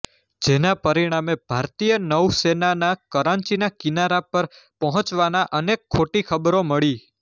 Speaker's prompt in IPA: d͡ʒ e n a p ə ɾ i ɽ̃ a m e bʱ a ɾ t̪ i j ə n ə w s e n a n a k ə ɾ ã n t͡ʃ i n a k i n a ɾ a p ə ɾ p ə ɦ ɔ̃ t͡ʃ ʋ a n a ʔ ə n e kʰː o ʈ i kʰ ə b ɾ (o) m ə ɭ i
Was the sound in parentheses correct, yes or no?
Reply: yes